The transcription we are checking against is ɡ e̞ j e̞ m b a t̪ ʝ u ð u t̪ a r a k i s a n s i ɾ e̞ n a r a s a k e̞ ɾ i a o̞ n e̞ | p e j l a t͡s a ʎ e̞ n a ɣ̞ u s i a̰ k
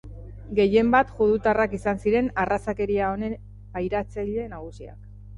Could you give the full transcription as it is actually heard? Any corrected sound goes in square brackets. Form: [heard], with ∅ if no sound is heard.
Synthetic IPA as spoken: ɡ e̞ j e̞ m b a t̪ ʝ u ð u t̪ a r a k i s a n s i ɾ e̞ n a r a s a k e̞ ɾ i a o̞ n e̞ | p [a] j [ɾ] a t͡s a ʎ e̞ n a ɣ̞ u s i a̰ k